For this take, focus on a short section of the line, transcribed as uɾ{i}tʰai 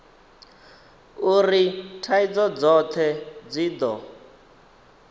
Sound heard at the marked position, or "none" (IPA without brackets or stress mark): i